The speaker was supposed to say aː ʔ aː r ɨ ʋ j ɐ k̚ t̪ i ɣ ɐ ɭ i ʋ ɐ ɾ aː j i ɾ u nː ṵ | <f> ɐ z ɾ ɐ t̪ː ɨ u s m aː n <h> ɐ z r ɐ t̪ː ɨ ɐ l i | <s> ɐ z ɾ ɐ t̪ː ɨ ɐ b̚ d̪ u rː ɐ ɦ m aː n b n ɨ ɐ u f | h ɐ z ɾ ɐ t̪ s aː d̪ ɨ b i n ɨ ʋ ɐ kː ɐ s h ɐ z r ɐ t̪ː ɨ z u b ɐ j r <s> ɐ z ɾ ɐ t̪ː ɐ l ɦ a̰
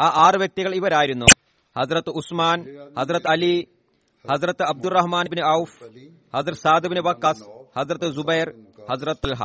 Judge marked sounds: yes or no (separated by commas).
no, yes, no, no